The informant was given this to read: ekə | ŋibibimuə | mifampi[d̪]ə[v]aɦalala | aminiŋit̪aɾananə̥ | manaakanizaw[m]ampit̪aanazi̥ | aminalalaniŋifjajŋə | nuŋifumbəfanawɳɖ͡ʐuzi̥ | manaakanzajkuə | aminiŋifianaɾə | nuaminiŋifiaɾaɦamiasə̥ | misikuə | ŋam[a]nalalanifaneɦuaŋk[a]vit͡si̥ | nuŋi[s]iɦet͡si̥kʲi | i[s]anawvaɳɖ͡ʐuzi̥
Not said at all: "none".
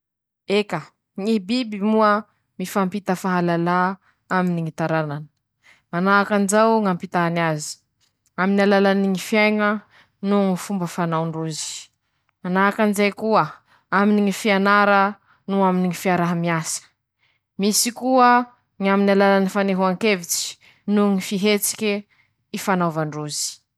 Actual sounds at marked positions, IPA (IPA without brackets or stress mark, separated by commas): t̪, f, ŋ, i, e, f, f